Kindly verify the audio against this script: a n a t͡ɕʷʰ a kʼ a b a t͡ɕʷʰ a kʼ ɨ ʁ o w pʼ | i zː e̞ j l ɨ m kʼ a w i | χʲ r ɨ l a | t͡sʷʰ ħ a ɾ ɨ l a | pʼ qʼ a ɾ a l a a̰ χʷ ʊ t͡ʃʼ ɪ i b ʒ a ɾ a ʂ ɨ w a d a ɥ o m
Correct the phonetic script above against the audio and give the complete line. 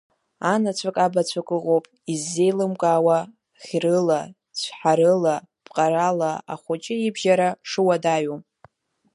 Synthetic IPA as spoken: a n a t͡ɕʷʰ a kʼ a b a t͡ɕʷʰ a kʼ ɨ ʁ o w pʼ | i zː e̞ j l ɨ m kʼ a w a | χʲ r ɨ l a | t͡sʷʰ ħ a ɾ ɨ l a | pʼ qʼ a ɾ a l a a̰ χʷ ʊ t͡ʃʼ ɪ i b ʒ a ɾ a ʂ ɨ w a d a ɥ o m